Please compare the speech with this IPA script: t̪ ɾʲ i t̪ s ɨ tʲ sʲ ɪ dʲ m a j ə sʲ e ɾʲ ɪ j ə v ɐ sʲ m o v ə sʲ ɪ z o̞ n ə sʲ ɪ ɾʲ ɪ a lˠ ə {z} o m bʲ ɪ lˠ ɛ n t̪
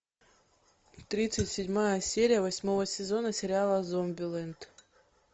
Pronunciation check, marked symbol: correct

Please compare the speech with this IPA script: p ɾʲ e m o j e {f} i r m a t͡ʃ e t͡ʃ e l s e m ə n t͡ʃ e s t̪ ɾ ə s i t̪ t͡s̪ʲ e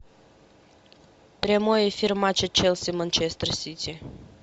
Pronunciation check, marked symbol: correct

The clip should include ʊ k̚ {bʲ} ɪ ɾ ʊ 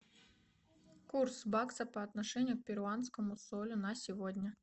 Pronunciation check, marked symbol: incorrect: pʲ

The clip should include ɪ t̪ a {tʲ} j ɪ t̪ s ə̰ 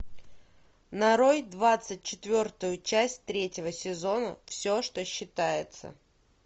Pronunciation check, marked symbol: incorrect: none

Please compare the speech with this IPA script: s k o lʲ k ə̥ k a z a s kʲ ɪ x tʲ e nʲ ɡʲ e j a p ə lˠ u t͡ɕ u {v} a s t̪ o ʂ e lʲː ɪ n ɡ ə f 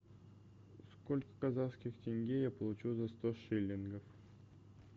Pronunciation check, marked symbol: incorrect: z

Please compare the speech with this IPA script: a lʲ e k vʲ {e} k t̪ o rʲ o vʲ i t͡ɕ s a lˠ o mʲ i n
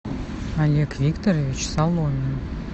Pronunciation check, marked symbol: incorrect: i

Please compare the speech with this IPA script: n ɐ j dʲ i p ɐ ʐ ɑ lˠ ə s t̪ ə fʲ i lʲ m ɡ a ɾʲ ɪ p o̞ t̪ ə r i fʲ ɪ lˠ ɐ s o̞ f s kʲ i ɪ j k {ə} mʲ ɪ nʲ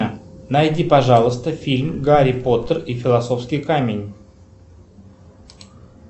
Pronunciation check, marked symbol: incorrect: a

